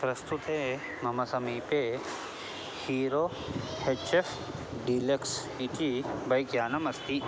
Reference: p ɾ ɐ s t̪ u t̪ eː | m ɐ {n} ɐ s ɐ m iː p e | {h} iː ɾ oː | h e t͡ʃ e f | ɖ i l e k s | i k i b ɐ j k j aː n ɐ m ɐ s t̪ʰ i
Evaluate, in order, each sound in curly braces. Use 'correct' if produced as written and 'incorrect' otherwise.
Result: incorrect: m, correct

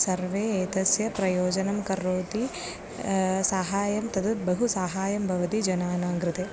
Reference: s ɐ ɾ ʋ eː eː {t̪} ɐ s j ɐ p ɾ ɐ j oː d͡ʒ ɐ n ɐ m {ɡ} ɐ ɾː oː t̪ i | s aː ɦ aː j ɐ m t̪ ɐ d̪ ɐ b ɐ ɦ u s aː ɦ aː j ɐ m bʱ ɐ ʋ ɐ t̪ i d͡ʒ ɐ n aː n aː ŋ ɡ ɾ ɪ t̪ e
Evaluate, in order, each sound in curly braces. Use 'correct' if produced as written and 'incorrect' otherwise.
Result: correct, incorrect: k

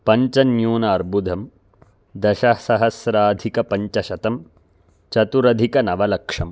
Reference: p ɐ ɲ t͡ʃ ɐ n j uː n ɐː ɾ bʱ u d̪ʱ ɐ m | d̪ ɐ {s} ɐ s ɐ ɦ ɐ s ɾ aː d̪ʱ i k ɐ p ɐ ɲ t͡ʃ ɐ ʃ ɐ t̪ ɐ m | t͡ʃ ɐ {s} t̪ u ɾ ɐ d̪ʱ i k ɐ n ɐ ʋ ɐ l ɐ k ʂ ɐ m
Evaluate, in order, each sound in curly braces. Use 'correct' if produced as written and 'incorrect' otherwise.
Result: incorrect: ʃ, incorrect: none

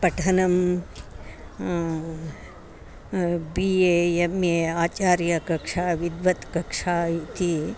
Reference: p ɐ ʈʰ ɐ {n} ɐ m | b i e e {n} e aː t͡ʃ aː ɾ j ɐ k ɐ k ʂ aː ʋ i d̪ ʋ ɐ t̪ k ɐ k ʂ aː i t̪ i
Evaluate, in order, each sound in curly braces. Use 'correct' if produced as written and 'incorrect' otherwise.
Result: correct, incorrect: m

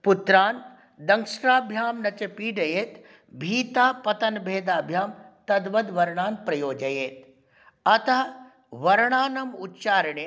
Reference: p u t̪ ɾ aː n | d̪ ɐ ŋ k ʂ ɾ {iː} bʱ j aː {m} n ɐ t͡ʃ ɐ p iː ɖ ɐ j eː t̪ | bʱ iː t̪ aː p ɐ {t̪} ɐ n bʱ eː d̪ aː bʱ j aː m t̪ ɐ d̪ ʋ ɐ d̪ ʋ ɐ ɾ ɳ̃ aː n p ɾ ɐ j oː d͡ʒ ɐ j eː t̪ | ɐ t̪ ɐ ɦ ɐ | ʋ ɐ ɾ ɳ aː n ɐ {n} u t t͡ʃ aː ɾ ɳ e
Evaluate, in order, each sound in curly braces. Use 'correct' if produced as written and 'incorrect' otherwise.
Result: incorrect: aː, correct, correct, incorrect: m

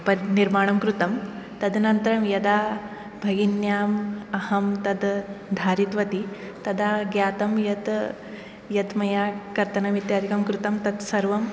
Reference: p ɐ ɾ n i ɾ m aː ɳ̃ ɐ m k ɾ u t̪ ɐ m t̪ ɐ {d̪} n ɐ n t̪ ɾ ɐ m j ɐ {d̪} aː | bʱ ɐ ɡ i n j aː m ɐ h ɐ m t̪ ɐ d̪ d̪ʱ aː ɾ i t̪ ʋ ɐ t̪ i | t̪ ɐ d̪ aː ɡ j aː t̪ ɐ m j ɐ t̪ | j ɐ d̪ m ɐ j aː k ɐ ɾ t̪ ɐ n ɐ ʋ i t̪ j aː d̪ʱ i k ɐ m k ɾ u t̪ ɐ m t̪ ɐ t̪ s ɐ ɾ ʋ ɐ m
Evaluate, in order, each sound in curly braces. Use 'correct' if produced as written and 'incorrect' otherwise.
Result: correct, correct

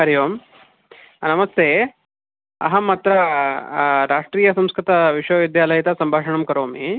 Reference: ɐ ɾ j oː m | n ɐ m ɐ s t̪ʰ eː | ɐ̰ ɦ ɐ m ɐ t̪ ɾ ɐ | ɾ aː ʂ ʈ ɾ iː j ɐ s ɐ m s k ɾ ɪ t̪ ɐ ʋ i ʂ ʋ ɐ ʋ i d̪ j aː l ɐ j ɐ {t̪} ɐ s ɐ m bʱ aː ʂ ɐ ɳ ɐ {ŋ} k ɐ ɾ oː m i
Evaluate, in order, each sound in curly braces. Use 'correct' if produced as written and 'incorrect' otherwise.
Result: correct, incorrect: m

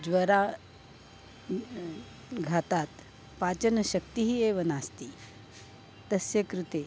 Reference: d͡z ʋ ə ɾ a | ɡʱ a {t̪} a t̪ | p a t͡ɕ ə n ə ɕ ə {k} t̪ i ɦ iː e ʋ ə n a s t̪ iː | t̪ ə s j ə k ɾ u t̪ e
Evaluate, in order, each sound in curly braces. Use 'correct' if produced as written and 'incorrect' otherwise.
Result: correct, correct

